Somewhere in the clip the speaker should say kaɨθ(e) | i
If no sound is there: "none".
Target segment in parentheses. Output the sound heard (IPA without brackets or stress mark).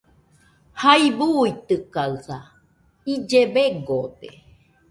a